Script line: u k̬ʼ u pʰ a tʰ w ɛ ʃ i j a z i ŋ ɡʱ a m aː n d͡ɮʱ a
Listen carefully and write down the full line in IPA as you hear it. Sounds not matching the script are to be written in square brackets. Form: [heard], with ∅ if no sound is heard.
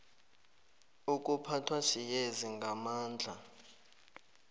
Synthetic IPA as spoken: u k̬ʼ u pʰ a tʰ w [a] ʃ i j [e] z i ŋ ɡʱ a m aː n d͡ɮʱ a